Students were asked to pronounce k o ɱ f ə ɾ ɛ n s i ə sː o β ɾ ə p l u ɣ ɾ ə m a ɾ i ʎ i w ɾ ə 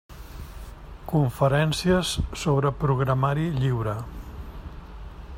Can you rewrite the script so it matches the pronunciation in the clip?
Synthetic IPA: k u ɱ f ə ɾ ɛ n s i ə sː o β ɾ ə p ɾ u ɣ ɾ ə m a ɾ i ʎ i w ɾ ə